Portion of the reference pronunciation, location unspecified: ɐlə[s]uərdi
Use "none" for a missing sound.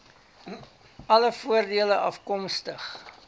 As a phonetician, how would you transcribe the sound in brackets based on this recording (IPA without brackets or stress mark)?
f